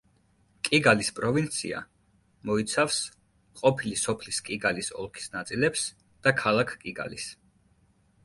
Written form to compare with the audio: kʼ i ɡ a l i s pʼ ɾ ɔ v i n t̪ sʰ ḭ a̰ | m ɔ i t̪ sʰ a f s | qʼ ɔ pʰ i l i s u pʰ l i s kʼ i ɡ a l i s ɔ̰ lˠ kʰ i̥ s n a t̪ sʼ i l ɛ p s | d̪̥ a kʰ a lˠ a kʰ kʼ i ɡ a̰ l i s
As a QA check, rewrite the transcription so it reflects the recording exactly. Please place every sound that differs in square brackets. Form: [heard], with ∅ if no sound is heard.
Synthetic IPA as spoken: kʼ i ɡ a l i s pʼ ɾ ɔ v i n t̪ sʰ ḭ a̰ | m ɔ i t̪ sʰ a f s | qʼ ɔ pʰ i l i s [ɔ] pʰ l i s kʼ i ɡ a l i s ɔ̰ lˠ kʰ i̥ s n a t̪ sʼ i l ɛ p s | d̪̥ a kʰ a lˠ a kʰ kʼ i ɡ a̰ l i s